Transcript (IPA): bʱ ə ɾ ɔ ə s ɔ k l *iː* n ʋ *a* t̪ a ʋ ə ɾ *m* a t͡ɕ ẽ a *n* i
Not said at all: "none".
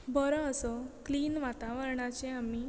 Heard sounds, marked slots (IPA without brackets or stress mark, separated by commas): iː, a, ɳ, m